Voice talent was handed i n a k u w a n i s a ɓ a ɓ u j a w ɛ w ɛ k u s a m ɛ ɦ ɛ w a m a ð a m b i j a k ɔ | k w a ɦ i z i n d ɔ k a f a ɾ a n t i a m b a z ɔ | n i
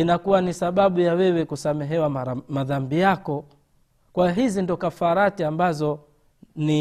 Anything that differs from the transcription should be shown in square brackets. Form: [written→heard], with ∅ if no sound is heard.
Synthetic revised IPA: i n a k u w a n i s a ɓ a ɓ u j a w ɛ w ɛ k u s a m ɛ ɦ ɛ w a m a ð a m b i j a k ɔ | k w a ɦ i z i n d ɔ k a f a ɾ a [n→∅] t i a m b a z ɔ | n i